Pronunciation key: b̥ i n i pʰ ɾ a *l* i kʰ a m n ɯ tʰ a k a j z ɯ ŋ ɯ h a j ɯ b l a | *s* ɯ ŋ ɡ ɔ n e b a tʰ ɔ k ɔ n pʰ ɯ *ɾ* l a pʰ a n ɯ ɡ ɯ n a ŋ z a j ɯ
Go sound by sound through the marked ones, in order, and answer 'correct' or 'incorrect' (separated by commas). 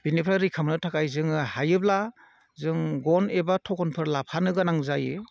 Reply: incorrect, incorrect, correct